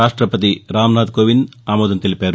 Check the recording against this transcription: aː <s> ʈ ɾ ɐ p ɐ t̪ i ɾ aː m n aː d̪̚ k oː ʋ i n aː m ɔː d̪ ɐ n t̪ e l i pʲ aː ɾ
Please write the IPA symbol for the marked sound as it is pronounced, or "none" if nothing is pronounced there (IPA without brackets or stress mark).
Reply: ʂ